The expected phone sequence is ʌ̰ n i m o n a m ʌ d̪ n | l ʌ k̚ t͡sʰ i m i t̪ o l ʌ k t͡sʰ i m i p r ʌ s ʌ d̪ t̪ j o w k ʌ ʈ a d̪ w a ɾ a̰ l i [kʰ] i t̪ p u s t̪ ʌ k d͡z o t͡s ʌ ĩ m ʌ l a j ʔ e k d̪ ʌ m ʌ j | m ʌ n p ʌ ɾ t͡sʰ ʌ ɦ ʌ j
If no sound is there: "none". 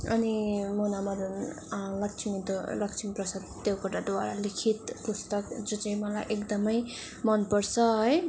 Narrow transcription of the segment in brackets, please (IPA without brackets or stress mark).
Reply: kʰ